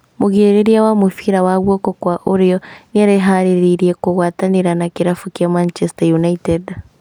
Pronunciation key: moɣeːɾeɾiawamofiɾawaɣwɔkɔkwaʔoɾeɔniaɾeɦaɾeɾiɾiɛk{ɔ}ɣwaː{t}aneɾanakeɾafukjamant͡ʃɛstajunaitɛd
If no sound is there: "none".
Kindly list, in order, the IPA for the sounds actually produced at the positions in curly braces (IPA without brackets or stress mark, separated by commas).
o, t